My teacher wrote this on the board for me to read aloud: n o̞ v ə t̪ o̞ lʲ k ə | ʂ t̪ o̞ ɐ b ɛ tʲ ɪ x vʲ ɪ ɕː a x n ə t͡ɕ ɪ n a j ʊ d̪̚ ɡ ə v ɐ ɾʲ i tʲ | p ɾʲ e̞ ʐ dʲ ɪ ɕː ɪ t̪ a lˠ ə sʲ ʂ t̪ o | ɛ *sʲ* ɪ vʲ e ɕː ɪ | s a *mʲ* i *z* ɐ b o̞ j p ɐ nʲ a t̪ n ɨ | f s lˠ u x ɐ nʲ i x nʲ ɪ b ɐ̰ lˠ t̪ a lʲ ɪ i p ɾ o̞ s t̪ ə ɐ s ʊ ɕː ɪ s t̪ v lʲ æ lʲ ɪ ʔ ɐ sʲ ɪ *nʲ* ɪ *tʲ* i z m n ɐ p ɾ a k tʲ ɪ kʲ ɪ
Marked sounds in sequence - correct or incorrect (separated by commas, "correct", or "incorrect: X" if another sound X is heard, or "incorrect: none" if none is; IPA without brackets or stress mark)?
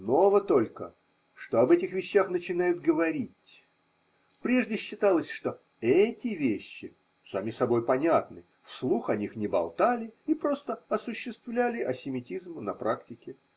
incorrect: tʲ, correct, incorrect: s, incorrect: mʲ, correct